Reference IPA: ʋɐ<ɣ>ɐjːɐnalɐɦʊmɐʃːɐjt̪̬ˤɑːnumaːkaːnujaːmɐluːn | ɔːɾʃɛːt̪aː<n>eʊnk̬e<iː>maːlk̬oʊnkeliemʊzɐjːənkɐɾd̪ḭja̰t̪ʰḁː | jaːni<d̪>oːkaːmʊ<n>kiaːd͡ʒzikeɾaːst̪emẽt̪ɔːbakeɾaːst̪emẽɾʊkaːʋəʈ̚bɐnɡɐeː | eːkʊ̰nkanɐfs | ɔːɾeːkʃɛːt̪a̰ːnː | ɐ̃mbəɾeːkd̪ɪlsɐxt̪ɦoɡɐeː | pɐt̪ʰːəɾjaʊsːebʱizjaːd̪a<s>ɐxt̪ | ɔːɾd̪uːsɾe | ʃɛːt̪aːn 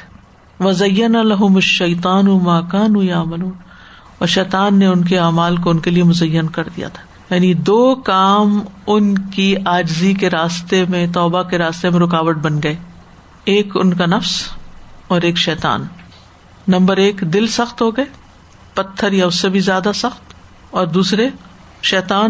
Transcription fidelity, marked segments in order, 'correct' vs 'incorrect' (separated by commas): incorrect, incorrect, incorrect, correct, correct, correct